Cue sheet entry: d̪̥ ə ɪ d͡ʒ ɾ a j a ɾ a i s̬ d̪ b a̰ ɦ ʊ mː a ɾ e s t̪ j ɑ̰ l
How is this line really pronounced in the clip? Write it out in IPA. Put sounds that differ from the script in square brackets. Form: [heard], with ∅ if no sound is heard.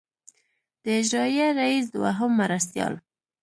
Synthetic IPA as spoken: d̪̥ ə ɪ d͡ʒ ɾ [ɑ] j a ɾ a i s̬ d̪ [w] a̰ ɦ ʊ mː a ɾ [a] s t̪ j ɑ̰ l